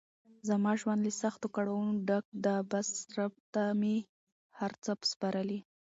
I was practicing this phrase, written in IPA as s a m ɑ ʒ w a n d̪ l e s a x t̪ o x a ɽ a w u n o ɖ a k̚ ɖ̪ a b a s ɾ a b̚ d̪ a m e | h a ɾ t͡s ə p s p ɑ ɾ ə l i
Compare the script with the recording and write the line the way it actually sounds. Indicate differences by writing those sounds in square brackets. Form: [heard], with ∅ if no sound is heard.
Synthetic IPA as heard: [z] a m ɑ ʒ w a n d̪ l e s a x t̪ o [k] a ɽ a w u n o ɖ a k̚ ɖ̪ a b a s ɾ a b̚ [t̪] a m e | h a ɾ t͡s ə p s p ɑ ɾ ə l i